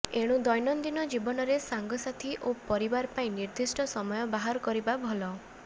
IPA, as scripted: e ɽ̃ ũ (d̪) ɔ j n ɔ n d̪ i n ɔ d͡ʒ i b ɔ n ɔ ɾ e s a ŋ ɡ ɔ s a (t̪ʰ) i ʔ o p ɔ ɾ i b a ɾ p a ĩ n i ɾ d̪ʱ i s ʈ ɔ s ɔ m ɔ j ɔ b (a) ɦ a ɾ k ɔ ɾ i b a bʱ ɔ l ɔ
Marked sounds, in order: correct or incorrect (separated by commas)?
correct, correct, correct